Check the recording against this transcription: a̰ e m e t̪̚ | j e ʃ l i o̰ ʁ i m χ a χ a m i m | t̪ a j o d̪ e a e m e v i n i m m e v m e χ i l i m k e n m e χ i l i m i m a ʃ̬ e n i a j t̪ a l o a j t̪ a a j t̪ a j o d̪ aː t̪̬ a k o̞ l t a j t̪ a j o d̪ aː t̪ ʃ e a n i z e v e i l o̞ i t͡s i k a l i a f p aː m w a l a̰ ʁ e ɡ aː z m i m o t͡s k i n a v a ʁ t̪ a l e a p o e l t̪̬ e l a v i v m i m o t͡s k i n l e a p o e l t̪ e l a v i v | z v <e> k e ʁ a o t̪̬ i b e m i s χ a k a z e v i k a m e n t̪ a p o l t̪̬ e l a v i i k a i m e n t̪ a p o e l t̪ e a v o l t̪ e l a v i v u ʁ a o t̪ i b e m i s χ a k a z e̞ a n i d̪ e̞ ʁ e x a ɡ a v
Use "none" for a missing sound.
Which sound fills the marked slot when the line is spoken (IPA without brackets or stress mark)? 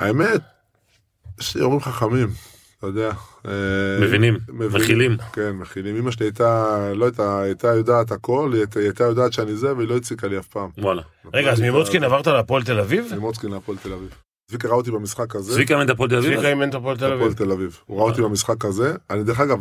i